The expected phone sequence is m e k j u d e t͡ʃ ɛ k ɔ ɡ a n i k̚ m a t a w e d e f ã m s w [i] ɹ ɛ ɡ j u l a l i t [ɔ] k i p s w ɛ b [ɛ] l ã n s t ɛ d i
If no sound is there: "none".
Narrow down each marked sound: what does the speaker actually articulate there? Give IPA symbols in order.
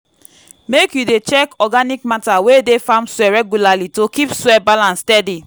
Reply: ɛ, o, a

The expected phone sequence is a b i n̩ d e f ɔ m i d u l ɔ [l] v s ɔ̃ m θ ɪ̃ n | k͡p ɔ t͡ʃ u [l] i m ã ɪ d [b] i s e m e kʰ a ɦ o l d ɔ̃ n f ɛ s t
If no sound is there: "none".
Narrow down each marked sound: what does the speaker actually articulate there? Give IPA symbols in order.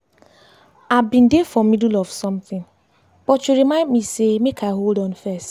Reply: none, ɾ, m

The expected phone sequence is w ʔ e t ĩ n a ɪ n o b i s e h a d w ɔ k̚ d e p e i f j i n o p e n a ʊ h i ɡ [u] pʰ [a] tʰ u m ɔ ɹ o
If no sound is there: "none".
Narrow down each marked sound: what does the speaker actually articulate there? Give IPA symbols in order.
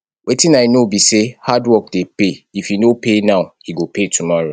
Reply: o, e

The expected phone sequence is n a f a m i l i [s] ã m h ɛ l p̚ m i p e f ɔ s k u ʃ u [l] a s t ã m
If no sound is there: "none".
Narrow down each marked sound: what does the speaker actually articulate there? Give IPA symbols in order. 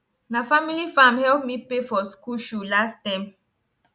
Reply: f, l

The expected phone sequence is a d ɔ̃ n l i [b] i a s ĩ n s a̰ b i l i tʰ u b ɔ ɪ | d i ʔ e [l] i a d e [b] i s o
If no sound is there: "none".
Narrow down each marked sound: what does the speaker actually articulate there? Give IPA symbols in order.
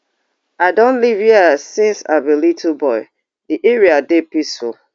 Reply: v, ɹ, p

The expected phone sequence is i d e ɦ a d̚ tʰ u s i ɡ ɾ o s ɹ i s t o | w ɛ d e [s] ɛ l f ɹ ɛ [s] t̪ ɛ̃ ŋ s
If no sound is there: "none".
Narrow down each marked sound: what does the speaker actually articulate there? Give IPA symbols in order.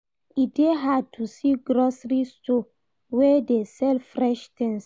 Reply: s, ʃ

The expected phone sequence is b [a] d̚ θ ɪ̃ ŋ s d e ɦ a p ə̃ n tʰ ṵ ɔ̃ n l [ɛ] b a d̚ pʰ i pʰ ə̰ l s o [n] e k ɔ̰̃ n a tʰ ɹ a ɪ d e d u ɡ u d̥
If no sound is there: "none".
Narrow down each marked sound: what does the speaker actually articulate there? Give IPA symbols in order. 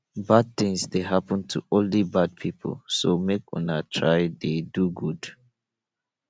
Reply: a, i, m

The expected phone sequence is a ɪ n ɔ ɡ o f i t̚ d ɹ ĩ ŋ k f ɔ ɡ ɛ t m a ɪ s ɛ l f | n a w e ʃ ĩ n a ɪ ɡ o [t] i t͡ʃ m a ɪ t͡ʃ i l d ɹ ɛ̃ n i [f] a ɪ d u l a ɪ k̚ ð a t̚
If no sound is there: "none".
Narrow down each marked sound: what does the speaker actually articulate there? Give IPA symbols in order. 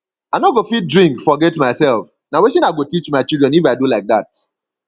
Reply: t, f

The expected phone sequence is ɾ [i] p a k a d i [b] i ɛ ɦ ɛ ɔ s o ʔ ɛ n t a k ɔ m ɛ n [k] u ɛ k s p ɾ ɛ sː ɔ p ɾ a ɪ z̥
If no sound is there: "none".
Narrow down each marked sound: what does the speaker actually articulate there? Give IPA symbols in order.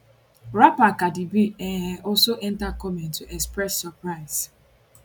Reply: a, b, t

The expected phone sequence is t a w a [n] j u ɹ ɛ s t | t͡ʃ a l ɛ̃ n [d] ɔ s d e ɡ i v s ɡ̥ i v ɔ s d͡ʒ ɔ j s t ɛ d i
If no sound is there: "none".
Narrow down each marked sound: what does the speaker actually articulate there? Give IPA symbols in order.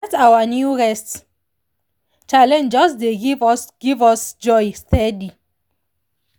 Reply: n, d͡ʒ

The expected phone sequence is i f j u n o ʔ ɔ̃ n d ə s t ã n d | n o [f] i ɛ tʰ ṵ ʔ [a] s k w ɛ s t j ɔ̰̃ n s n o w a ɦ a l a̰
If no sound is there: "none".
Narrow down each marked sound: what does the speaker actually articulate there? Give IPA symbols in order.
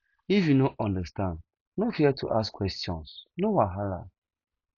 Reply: f, a

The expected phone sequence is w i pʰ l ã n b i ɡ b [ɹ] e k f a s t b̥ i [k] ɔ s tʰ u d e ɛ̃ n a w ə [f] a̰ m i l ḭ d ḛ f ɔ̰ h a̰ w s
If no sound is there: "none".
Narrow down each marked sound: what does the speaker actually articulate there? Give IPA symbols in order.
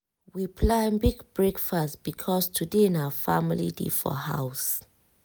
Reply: ɹ, kʰ, f

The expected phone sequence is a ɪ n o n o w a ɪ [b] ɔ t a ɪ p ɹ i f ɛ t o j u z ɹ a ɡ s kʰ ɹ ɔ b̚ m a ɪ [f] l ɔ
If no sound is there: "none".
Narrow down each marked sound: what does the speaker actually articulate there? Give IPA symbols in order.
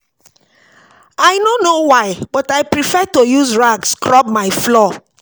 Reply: b, f

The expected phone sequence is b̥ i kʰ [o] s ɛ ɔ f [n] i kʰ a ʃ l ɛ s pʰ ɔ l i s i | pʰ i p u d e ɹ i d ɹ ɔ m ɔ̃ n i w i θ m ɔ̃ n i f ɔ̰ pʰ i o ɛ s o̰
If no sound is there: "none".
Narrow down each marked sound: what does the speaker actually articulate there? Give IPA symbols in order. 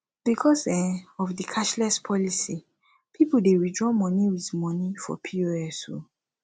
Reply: ɔ, d

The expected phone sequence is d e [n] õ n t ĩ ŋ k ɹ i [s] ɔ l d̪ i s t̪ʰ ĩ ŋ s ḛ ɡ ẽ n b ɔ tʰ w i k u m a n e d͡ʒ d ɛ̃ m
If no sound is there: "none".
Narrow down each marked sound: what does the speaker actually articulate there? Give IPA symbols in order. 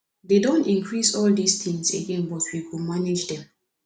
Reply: d, s

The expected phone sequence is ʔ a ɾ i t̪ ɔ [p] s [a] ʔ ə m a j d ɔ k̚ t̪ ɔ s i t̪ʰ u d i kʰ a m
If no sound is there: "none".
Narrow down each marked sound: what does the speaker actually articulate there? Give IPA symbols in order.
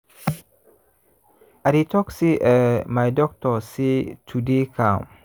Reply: k, i

